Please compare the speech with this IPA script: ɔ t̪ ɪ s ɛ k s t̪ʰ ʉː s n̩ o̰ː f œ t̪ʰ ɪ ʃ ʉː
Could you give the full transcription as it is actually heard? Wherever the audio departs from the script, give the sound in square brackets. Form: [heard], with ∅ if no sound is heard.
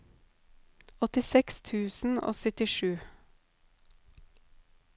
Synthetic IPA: ɔ t̪ ɪ s ɛ k s t̪ʰ ʉː s n̩ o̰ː [s] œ [t̪] ɪ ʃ ʉː